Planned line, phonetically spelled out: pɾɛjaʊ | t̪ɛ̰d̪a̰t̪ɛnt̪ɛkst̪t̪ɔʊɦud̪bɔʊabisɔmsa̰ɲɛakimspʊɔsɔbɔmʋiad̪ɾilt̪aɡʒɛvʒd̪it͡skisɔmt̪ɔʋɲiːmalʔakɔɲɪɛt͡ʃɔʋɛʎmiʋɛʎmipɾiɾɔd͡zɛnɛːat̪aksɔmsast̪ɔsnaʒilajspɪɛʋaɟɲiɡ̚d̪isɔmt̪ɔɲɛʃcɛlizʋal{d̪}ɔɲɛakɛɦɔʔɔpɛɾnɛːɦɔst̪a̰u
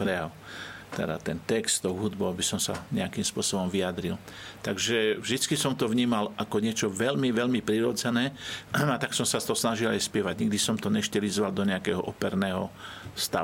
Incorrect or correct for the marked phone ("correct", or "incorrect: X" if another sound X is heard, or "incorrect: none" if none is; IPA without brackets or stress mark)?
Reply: correct